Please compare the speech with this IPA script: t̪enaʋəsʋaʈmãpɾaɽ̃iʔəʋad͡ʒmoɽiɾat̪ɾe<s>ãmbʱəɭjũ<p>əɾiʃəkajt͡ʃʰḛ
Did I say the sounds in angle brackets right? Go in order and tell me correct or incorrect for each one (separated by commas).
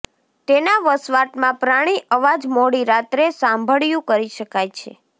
correct, incorrect